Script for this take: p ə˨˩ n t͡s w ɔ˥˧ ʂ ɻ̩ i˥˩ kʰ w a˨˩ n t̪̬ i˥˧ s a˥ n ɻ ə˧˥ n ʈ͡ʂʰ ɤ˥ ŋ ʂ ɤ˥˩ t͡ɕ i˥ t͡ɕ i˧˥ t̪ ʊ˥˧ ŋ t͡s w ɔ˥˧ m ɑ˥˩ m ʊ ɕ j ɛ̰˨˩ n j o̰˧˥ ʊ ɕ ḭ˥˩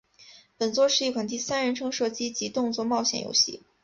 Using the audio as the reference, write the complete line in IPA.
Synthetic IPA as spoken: p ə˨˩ n t͡s w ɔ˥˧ ʂ ɻ̩ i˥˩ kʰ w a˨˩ n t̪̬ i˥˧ s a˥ n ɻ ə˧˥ n ʈ͡ʂʰ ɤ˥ ŋ ʂ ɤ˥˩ t͡ɕ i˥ t͡ɕ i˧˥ t̪ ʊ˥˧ ŋ t͡s w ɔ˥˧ m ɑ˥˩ ʊ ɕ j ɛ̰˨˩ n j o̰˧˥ ʊ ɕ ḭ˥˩

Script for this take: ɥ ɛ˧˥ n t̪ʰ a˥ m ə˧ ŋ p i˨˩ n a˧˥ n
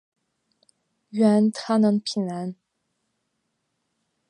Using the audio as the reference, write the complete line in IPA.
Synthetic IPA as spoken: ɥ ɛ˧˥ n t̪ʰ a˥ n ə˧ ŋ pʰ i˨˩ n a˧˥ n

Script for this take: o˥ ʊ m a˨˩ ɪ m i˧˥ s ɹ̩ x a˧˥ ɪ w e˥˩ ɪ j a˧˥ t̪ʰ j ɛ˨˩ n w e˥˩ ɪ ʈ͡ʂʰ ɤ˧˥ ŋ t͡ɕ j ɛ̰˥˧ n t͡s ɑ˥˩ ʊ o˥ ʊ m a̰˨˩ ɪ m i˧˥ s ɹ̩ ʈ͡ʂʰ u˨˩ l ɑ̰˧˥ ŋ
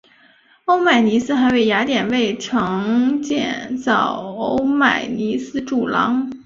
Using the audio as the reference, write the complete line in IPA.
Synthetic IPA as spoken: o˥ ʊ m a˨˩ ɪ n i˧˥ s ɹ̩ x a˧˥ ɪ w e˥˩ ɪ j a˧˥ t̪ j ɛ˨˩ n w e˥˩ ɪ ʈ͡ʂʰ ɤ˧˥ ŋ t͡ɕ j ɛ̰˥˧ n t͡s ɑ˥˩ ʊ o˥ ʊ m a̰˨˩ ɪ n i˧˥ s ɹ̩ ʈ͡ʂ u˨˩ l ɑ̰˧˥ ŋ

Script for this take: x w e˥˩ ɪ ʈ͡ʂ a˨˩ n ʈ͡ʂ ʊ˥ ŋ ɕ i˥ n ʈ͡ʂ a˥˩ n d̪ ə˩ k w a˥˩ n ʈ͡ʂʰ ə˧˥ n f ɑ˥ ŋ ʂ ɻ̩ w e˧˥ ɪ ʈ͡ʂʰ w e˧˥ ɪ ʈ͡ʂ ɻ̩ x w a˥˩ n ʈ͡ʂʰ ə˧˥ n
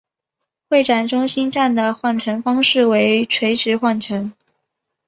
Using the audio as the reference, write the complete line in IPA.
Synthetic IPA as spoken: x w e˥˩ ɪ ʈ͡ʂ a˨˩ n ʈ͡ʂ ʊ˥ ŋ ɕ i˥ n ʈ͡ʂ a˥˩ n d̪ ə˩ x w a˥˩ n ʈ͡ʂʰ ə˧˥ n f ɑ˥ ŋ ʂ ɻ̩ w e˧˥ ɪ ʈ͡ʂʰ w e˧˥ ɪ ʈ͡ʂ ɻ̩ x w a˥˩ n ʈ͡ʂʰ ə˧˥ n

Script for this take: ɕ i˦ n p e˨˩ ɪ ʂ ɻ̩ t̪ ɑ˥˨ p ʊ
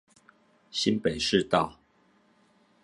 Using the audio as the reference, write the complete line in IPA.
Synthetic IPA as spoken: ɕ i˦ n p e˨˩ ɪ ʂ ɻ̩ t̪ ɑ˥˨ ʊ

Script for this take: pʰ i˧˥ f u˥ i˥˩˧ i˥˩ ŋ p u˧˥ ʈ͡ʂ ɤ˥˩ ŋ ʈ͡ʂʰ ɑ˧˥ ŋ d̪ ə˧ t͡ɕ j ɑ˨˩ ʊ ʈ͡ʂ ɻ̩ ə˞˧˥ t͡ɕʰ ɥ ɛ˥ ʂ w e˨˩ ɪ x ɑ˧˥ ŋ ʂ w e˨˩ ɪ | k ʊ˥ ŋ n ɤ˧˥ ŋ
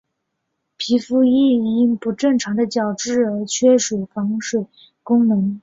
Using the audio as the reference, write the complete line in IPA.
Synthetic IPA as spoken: pʰ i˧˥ f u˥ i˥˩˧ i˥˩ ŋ p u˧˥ ʈ͡ʂ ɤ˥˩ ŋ ʈ͡ʂʰ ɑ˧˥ ŋ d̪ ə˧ t͡ɕ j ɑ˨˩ ʊ ʈ͡ʂ ɻ̩ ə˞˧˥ t͡ɕʰ ɥ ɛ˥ ʂ w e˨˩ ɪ f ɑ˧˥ ŋ ʂ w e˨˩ ɪ | k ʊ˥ ŋ n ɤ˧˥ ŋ

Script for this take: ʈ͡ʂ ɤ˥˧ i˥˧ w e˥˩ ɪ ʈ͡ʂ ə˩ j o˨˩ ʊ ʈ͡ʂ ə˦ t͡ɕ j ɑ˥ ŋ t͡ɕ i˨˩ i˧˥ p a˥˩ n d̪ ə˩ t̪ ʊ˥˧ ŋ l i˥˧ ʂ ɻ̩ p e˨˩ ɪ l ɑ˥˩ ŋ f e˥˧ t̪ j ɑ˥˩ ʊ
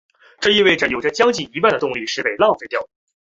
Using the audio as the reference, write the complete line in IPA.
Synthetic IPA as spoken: ʈ͡ʂ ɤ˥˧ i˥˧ w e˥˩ ɪ ʈ͡ʂ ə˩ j o˨˩ ʊ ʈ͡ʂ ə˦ t͡ɕ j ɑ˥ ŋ t͡ɕ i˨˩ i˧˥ p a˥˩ n d̪ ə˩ t̪ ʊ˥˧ ŋ l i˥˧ ʂ ɻ̩ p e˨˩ ɪ l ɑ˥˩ ŋ f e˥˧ t̪ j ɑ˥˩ ʊ

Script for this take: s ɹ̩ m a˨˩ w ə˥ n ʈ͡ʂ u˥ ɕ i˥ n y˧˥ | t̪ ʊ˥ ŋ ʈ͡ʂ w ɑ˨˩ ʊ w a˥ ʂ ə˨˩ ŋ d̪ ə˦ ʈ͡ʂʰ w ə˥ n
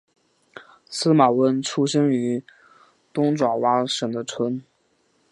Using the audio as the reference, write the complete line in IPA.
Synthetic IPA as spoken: s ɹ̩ m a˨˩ w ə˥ n ʈ͡ʂʰ u˥ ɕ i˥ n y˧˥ | t̪ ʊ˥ ŋ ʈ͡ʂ w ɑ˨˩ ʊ w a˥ ʂ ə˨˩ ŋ d̪ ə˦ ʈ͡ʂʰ w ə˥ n

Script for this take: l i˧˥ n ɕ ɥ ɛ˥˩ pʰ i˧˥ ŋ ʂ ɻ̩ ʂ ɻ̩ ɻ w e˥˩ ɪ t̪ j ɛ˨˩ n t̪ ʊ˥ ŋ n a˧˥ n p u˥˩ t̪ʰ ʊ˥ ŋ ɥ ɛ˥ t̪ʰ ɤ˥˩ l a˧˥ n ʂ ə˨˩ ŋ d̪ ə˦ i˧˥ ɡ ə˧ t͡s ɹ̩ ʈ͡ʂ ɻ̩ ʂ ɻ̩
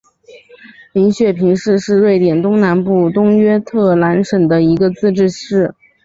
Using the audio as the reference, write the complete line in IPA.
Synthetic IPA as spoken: l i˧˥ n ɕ ɥ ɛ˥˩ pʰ i˧˥ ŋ ʂ ɻ̩ ʂ ɻ̩ ɻ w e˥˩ ɪ t̪ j ɛ˨˩ n t̪ ʊ˥ ŋ n a˧˥ n p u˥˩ t̪ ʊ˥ ŋ ɥ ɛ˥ t̪ʰ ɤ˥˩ l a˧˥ n ʂ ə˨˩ ŋ d̪ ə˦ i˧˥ ɡ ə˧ t͡s ɹ̩ ʈ͡ʂ ɻ̩ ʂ ɻ̩

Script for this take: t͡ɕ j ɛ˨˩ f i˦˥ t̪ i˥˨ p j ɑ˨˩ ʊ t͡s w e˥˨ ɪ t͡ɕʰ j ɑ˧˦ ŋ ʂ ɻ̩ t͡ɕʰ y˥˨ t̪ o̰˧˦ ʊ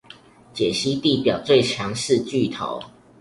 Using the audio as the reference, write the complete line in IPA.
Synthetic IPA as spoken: t͡ɕ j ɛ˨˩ ɕ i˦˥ t̪ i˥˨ p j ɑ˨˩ ʊ t͡s w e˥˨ ɪ t͡ɕʰ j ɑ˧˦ ŋ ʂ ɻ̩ t͡ɕ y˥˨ t̪ʰ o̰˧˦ ʊ

